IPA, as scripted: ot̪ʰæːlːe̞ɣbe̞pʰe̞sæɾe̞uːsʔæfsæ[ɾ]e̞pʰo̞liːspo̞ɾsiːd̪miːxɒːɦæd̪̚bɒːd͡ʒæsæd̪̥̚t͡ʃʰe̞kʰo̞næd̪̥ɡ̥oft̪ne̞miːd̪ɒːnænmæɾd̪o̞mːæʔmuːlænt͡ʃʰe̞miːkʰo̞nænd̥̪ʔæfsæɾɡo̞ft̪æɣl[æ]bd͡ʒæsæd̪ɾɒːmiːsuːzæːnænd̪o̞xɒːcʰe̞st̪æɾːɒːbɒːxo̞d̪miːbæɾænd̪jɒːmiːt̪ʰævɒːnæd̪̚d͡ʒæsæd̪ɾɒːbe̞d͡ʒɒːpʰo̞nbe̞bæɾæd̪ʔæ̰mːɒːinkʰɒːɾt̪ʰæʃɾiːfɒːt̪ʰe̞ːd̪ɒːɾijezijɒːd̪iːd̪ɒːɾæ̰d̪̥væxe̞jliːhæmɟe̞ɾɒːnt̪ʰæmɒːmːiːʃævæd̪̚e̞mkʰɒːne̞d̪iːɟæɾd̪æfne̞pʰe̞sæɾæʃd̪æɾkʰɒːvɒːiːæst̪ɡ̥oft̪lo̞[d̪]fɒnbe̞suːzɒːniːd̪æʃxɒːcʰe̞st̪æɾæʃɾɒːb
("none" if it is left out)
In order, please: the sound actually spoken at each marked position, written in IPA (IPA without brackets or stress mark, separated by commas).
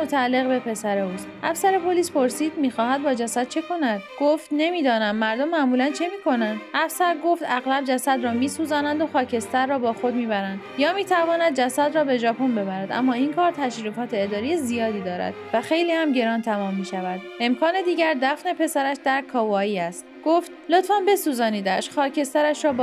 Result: ɾ, æ, t̪